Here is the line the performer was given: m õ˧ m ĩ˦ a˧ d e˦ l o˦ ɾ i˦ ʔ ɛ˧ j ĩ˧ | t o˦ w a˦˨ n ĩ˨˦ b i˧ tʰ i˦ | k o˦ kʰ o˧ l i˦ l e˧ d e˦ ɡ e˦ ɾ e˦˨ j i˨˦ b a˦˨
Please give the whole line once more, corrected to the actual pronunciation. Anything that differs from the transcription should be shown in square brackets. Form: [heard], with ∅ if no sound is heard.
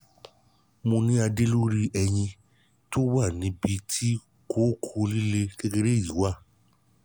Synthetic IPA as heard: m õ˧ [n] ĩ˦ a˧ d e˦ l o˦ ɾ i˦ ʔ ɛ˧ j ĩ˧ | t o˦ w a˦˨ n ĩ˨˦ b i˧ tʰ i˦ | k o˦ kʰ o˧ l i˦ l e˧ [ɡ] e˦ ɡ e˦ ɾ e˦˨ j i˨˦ [w] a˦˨